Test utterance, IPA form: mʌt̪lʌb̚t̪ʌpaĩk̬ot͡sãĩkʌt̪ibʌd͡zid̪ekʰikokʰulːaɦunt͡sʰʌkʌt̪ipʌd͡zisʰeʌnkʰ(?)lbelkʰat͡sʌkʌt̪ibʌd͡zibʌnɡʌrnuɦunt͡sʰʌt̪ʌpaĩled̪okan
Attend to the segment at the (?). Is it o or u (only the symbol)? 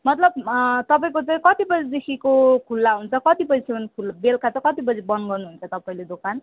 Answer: u